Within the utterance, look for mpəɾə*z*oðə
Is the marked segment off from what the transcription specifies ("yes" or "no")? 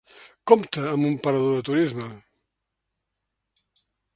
yes